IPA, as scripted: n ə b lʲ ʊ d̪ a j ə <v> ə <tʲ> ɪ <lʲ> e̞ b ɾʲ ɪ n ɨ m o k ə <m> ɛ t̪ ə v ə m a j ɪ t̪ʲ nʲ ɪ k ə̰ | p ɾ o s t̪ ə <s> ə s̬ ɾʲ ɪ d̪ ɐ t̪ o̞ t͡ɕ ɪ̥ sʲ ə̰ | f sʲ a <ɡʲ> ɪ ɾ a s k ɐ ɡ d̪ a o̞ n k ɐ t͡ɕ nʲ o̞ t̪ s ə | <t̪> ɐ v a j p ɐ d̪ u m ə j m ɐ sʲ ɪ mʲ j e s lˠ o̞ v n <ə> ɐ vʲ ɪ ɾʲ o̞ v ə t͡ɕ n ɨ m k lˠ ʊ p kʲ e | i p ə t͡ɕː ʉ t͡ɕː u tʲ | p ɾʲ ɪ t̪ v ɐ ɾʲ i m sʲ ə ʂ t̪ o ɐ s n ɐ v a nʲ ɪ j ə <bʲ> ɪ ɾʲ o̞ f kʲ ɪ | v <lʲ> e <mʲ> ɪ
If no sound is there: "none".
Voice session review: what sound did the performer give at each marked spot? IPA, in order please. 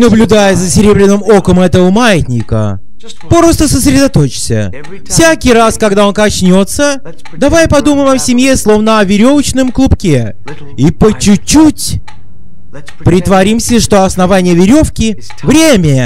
z, sʲ, ɾʲ, m, s, kʲ, d̪, ə, vʲ, ɾʲ, mʲ

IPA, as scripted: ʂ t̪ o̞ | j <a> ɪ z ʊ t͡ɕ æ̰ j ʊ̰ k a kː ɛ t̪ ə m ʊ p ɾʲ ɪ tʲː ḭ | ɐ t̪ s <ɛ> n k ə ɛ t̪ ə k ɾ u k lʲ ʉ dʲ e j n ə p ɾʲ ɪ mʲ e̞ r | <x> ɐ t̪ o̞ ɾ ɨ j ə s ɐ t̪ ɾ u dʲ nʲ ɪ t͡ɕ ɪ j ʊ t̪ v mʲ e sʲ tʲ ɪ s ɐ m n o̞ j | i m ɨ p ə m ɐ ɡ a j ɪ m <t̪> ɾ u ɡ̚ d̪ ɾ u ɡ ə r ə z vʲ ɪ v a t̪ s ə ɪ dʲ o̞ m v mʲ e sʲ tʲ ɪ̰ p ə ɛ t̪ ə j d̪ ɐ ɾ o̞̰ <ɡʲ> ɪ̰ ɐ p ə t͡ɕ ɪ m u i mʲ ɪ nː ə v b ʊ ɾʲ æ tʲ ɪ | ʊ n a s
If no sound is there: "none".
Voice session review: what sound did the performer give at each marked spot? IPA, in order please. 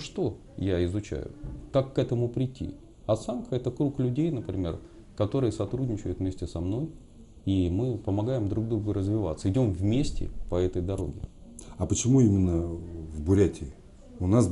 a, a, k, d̪, ɡʲ

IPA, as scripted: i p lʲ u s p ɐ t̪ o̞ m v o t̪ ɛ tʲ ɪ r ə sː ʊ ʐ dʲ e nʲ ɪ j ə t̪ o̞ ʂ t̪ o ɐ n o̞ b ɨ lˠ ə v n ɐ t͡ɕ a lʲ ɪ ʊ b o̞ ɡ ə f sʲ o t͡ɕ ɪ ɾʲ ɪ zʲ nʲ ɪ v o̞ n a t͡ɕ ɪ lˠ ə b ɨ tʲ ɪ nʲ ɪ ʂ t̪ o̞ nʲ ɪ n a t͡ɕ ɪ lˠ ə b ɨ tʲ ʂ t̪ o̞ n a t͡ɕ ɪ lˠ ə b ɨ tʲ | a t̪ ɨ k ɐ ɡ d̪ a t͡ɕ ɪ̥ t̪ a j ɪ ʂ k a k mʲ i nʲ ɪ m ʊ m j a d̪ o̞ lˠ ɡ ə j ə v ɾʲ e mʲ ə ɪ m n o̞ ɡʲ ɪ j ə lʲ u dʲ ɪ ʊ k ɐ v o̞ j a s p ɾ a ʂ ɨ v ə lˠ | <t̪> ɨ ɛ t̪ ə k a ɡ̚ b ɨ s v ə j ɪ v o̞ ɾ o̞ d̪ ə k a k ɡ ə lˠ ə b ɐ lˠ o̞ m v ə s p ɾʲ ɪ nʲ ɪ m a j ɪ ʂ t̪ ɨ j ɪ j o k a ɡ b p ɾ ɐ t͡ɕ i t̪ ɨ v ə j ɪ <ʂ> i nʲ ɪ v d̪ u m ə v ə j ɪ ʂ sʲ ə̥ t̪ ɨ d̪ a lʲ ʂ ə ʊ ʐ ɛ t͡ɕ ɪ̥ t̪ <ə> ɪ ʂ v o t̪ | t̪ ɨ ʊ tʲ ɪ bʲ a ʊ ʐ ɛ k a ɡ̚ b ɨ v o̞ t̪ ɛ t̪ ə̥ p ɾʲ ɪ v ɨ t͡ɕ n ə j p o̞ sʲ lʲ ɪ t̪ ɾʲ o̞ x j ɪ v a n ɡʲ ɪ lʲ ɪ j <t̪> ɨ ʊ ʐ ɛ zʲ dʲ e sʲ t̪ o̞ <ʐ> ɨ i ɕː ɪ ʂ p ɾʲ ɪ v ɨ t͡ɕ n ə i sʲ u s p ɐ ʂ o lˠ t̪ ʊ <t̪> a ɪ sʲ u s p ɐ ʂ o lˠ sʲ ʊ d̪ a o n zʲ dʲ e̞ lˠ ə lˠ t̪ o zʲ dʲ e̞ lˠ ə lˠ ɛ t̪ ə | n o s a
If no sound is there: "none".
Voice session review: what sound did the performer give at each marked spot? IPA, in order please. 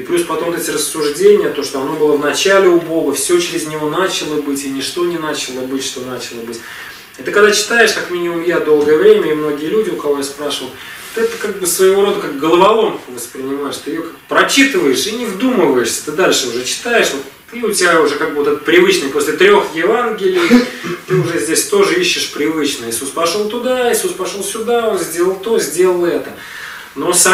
t̪, ʂ, a, t̪, ʐ, d̪

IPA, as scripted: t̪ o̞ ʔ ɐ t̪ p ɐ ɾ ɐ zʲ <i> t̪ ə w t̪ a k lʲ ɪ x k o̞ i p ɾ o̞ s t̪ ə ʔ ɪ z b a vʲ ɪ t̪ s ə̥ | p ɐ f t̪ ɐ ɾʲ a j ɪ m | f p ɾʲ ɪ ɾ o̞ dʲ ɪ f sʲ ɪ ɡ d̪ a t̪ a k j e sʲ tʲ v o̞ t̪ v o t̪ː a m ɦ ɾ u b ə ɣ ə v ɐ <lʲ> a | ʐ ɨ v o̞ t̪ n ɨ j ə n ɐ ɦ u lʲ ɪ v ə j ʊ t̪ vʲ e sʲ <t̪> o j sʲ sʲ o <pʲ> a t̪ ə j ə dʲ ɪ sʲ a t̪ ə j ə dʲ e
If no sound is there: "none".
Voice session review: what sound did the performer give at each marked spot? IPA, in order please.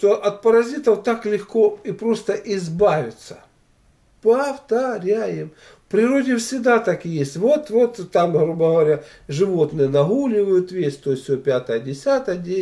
i, ɾʲ, t̪, pʲ

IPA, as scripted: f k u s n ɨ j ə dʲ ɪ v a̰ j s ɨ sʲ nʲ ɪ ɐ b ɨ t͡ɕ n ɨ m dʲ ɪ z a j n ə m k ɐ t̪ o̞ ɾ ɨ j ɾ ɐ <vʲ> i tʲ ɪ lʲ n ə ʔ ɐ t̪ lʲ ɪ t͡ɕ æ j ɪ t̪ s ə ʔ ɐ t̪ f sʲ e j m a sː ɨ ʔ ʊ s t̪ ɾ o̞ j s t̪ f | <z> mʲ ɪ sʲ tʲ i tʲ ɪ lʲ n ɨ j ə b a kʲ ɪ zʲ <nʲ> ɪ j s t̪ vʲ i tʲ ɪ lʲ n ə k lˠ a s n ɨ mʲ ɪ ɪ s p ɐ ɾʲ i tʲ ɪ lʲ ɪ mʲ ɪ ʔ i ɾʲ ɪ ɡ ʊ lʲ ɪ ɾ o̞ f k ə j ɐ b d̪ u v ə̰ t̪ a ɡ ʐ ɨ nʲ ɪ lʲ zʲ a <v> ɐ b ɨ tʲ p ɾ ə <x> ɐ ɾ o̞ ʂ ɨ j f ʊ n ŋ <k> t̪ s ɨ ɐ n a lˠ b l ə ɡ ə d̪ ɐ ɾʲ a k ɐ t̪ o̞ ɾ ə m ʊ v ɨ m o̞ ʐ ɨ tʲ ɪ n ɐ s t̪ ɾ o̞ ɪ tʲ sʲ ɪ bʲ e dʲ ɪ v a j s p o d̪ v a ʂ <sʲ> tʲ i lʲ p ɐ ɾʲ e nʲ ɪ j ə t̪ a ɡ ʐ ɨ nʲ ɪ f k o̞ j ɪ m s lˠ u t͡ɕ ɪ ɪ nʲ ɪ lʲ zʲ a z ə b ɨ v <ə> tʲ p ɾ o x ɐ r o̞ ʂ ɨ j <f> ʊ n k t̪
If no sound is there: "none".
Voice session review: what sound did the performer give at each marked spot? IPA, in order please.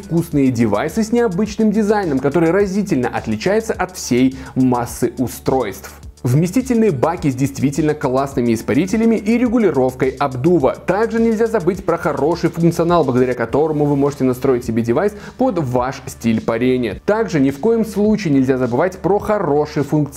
zʲ, v, dʲ, z, x, k, sʲ, a, f

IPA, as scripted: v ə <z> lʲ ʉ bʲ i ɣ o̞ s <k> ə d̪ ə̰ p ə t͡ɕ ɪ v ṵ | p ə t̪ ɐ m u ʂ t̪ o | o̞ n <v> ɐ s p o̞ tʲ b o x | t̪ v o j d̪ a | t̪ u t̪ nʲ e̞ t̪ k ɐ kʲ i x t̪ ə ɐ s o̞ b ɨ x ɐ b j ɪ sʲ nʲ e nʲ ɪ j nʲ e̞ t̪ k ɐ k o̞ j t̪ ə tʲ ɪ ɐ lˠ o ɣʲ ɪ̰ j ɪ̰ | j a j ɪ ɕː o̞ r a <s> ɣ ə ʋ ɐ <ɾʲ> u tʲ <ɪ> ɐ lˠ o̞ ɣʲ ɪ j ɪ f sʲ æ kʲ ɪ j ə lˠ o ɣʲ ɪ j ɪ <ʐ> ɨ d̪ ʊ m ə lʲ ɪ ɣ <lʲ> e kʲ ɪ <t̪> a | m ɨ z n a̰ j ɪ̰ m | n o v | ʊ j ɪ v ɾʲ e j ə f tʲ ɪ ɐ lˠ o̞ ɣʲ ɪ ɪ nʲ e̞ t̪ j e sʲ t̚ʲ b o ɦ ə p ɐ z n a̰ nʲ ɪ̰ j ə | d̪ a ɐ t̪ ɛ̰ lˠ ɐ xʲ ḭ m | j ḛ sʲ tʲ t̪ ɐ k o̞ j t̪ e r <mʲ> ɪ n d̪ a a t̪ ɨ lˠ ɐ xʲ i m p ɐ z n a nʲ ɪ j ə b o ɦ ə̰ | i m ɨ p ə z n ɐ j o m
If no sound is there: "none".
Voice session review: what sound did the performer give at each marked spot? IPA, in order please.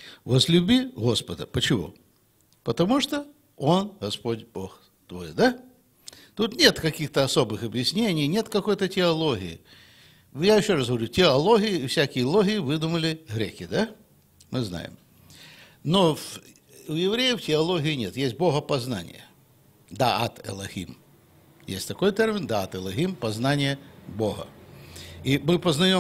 z, p, ɣ, s, ɾʲ, ɪ, v, ɾʲ, d̪, mʲ

